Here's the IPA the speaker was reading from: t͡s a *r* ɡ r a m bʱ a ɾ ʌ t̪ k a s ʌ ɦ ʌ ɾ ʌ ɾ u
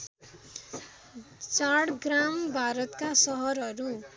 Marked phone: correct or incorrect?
incorrect